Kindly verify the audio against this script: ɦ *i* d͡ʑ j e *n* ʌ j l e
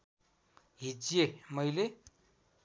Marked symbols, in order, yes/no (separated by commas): yes, no